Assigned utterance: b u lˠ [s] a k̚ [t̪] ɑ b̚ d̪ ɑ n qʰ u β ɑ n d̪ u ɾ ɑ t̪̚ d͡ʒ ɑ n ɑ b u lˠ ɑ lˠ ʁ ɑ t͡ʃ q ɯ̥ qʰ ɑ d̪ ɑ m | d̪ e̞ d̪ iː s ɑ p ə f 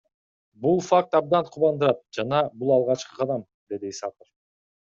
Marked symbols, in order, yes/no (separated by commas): no, yes